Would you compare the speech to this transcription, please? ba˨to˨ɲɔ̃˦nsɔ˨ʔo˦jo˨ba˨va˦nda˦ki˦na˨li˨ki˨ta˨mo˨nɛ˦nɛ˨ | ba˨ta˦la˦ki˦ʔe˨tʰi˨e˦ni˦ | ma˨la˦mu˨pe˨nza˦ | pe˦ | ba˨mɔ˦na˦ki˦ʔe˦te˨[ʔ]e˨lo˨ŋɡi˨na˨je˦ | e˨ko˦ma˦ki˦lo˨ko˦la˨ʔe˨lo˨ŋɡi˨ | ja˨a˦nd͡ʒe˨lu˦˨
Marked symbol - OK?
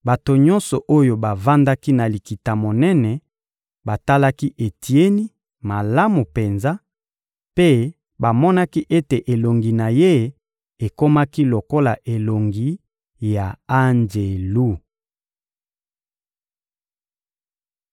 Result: yes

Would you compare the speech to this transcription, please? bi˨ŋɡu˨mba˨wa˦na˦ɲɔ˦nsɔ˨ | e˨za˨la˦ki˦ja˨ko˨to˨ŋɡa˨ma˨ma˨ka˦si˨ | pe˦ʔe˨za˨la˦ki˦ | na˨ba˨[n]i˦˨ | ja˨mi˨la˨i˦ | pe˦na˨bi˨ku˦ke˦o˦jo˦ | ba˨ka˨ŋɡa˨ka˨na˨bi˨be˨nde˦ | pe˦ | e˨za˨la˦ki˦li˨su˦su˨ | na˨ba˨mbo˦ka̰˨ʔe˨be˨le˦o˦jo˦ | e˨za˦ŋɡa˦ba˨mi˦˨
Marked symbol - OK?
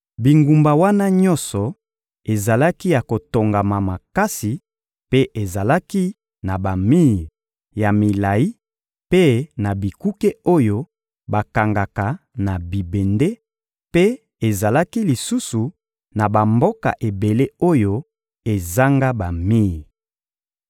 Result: no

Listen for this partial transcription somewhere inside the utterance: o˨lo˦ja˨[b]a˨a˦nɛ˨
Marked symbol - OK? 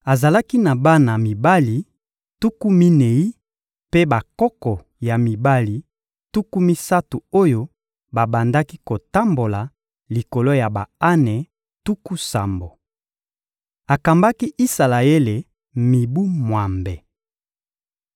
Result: yes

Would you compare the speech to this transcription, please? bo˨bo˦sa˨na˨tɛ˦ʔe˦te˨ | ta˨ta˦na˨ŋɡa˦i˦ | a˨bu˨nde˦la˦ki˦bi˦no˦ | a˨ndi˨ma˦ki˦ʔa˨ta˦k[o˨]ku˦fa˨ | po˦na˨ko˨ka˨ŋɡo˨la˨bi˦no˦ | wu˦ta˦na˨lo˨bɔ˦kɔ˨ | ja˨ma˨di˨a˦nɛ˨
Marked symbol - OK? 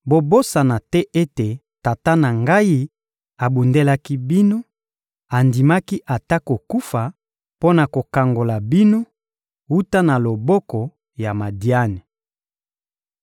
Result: yes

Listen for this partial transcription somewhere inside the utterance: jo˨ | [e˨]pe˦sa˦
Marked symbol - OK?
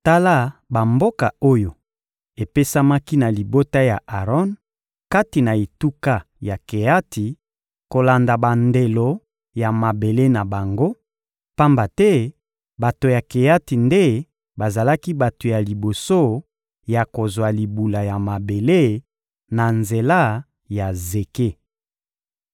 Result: yes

